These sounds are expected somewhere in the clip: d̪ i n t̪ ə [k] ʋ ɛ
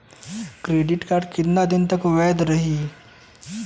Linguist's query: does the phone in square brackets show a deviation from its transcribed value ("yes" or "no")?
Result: no